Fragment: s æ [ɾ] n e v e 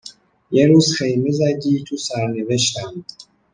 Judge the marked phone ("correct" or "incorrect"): correct